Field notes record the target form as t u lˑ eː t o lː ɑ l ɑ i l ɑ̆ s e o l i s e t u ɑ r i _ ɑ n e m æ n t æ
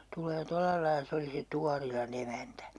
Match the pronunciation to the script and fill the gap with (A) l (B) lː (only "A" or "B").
A